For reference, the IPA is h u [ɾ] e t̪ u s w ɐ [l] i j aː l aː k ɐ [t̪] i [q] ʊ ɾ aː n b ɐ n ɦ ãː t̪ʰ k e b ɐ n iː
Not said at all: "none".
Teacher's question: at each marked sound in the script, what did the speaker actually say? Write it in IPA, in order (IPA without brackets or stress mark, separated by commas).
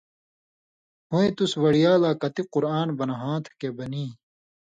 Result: none, ɽ, t̪, q